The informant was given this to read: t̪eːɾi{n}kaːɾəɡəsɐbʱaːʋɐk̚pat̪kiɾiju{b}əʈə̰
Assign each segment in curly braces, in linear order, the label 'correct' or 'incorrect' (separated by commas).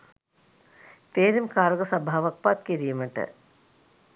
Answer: incorrect, incorrect